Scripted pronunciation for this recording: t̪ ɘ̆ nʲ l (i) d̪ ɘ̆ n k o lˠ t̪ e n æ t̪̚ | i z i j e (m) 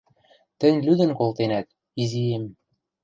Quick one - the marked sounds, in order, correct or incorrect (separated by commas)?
incorrect, correct